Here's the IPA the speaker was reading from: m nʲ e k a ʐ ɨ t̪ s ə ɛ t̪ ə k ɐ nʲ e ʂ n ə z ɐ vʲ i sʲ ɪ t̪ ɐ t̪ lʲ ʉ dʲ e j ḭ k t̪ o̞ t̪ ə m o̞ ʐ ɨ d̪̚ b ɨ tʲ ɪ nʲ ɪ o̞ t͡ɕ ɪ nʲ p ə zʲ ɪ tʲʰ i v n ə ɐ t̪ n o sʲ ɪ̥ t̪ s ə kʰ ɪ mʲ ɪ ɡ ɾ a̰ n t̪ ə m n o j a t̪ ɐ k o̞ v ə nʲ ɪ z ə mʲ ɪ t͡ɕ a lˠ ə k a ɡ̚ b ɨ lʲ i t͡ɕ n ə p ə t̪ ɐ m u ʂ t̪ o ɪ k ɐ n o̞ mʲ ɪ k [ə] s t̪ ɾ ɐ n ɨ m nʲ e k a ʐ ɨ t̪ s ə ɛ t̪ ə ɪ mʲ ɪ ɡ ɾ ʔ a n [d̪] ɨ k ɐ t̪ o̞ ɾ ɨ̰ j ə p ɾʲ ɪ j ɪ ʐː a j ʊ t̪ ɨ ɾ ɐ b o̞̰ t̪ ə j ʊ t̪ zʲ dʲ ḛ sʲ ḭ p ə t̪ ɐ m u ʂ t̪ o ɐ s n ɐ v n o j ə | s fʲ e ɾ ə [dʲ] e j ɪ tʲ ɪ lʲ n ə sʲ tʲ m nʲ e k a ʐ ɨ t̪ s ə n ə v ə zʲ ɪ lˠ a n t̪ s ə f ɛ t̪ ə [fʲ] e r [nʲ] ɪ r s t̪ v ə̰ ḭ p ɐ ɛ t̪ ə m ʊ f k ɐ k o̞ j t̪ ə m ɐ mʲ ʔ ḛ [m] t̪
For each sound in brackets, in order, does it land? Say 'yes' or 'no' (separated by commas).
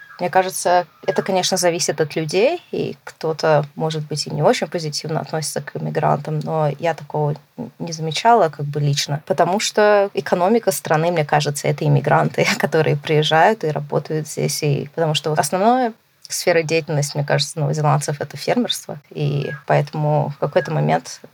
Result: yes, no, yes, yes, no, no